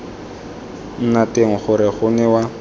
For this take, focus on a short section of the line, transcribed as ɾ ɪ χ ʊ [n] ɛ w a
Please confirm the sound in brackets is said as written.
yes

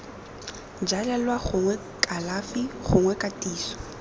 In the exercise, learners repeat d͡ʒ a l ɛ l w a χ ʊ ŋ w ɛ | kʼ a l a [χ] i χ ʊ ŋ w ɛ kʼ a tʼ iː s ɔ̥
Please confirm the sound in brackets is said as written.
no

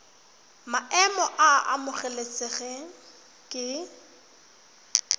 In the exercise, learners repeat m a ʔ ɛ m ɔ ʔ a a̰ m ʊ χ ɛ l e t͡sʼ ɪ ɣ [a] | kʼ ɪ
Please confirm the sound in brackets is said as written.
no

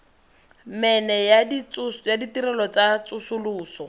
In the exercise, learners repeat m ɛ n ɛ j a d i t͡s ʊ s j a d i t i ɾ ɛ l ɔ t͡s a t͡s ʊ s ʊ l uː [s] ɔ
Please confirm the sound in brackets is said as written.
yes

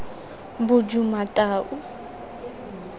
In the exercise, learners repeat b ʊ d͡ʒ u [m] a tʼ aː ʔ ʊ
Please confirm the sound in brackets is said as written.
yes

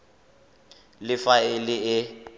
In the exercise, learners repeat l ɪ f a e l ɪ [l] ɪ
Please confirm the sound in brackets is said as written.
no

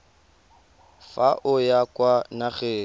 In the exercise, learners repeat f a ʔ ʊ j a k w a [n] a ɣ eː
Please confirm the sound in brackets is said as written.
yes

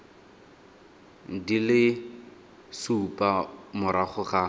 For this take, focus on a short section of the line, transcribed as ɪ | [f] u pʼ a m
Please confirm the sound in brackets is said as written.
no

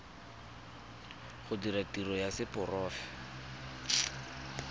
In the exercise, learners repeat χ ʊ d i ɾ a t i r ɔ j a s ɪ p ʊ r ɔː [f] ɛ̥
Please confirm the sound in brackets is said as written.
yes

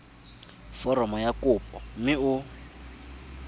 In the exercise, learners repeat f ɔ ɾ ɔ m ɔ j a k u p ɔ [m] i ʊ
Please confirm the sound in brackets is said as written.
yes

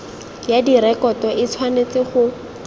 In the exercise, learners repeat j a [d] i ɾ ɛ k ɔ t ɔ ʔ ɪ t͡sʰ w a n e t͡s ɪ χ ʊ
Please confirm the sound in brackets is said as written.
yes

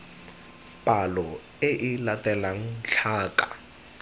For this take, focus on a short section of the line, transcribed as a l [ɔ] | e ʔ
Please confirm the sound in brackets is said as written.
yes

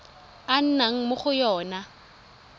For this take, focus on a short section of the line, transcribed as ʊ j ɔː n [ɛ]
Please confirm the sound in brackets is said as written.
no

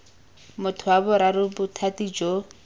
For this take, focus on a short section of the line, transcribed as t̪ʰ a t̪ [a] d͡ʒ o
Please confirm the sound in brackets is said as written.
no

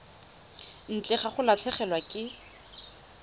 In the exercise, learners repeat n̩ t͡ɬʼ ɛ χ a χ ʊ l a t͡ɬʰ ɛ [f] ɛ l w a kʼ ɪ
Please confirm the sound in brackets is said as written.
no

